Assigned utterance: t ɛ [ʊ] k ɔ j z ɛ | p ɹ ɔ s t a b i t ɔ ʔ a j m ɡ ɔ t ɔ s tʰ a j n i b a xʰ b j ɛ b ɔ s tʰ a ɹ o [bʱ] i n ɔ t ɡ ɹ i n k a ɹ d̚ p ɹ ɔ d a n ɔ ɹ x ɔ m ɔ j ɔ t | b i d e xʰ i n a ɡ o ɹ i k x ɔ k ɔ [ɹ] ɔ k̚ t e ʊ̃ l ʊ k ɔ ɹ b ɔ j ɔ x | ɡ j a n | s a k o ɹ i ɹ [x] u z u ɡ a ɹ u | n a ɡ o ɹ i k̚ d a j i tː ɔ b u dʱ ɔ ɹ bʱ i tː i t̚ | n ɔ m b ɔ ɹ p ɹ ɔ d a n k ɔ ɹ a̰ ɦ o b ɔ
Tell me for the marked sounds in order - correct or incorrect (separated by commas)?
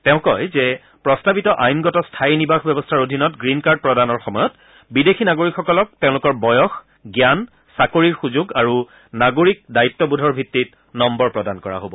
incorrect, incorrect, incorrect, correct